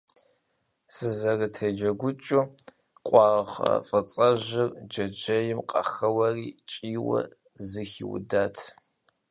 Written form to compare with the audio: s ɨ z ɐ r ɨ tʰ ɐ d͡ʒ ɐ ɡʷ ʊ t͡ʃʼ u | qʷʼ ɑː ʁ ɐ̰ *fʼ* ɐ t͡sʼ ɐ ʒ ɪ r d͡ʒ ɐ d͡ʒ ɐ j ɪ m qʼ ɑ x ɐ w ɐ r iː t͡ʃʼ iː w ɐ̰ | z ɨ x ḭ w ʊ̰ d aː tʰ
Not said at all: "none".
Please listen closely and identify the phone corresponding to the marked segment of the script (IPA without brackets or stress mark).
fʼ